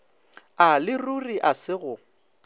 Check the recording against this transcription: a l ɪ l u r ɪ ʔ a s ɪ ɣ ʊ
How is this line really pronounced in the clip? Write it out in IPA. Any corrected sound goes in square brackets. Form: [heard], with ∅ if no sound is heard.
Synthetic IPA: a l ɪ [r] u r [i] ʔ a s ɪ ɣ ʊ